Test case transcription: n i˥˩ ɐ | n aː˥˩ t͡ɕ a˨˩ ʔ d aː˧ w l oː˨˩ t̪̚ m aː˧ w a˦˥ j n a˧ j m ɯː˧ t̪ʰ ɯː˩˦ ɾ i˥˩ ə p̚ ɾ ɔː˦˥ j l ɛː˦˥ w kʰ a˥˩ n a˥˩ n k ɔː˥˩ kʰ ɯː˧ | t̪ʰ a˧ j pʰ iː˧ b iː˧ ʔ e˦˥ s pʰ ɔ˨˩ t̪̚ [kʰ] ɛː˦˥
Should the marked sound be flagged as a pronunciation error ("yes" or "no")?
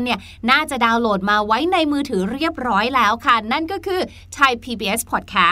no